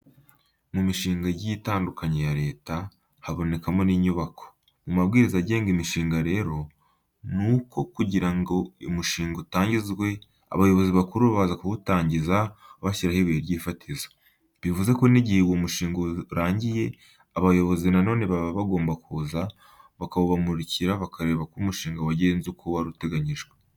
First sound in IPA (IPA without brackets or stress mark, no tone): m